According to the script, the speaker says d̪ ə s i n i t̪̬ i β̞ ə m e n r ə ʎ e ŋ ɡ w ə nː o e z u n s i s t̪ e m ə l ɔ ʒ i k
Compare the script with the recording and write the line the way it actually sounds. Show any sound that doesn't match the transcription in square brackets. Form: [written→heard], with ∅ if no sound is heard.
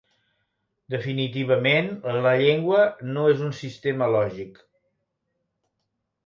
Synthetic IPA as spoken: d̪ ə [s→f] i n i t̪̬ i β̞ ə m e n [r→l] ə ʎ e ŋ ɡ w ə [nː→n] o e z u n s i s t̪ e m ə l ɔ ʒ i k